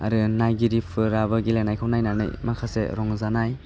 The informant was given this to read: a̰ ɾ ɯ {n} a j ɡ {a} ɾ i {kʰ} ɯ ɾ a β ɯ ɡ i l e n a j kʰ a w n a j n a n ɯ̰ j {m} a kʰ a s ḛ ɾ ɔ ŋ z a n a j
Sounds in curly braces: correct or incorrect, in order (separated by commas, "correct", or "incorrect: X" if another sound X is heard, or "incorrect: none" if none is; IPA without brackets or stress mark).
correct, incorrect: i, incorrect: pʰ, correct